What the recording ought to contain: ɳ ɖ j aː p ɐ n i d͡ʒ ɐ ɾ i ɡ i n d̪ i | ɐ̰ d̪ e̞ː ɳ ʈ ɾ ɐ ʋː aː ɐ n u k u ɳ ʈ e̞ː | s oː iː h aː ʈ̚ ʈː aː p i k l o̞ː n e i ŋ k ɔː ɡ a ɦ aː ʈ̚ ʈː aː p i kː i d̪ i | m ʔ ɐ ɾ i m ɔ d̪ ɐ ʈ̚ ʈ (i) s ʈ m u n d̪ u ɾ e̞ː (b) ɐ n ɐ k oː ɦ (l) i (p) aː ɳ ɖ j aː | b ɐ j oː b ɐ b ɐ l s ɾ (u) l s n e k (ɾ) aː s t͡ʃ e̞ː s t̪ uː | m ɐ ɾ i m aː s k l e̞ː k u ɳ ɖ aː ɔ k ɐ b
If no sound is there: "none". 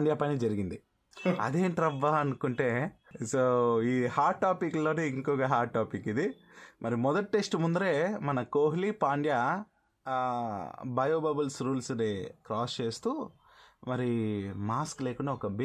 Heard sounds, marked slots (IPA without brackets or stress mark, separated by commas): e, m, l, p, uː, ɾ